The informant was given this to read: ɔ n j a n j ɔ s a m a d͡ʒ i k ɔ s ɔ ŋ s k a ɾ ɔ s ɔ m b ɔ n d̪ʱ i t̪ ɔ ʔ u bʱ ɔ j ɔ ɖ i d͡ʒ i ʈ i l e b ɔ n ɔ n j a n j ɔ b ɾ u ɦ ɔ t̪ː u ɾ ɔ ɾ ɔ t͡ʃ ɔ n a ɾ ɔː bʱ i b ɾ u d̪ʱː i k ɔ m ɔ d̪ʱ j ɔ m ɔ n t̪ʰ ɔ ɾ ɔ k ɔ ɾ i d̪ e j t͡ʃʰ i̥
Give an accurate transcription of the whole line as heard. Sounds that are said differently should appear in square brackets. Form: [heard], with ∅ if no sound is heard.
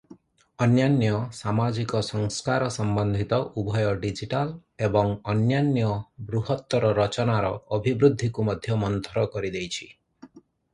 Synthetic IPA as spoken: ɔ n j a n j ɔ s a m a d͡ʒ i k ɔ s ɔ ŋ s k a ɾ ɔ s ɔ m b ɔ n d̪ʱ i t̪ ɔ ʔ u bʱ ɔ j ɔ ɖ i d͡ʒ i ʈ [a] l e b ɔ [ŋ] ɔ n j a n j ɔ b ɾ u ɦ ɔ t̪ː [ɔ] ɾ ɔ ɾ ɔ t͡ʃ ɔ n a ɾ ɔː bʱ i b ɾ u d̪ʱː i k [u] m ɔ d̪ʱ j ɔ m ɔ n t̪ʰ ɔ ɾ ɔ k ɔ ɾ i d̪ e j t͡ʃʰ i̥